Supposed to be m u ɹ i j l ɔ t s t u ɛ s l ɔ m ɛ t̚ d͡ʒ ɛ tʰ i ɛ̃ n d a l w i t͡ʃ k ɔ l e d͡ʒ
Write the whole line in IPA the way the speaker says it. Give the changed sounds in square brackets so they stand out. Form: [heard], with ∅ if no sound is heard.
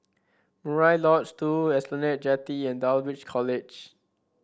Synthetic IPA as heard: m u ɹ [a] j l ɔ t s t u ɛ s l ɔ [n] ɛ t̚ d͡ʒ ɛ [t] i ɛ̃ n d a l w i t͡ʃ [kʰ] ɔ l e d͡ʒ